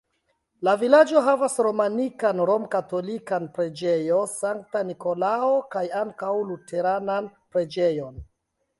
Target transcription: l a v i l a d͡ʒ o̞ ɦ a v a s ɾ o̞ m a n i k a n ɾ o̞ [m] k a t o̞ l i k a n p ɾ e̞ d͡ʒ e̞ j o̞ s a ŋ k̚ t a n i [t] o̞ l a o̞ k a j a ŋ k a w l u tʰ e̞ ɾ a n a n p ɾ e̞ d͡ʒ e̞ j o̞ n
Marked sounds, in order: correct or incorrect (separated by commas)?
correct, incorrect